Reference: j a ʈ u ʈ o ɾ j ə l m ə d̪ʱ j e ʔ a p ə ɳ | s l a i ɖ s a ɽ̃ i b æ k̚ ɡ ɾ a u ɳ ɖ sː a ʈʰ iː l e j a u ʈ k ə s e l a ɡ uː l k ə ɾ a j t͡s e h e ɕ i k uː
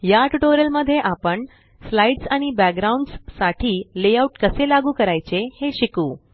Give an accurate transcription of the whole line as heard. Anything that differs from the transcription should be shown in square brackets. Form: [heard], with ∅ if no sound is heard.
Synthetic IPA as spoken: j a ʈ u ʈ o ɾ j ə l m ə d̪ʱ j e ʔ a p ə ɳ | s l a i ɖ s a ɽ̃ i b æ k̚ ɡ ɾ a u ɳ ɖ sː a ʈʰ iː l e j a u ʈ k ə s e l a ɡ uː [∅] k ə ɾ a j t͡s e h e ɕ i k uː